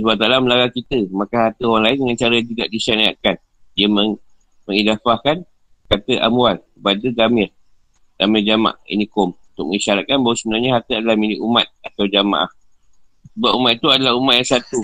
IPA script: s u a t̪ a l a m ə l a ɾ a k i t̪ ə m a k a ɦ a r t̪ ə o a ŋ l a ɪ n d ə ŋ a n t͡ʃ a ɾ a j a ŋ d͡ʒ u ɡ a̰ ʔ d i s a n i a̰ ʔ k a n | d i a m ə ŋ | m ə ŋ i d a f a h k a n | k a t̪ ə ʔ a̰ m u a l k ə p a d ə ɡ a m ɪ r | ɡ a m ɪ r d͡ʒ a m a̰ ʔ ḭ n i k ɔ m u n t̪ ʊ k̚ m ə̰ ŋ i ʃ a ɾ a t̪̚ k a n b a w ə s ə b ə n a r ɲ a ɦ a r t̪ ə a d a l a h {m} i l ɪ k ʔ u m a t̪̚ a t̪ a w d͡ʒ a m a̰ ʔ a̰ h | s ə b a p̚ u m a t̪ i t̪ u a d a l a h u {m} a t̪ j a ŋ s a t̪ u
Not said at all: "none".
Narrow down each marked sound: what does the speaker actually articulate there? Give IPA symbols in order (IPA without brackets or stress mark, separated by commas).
m, m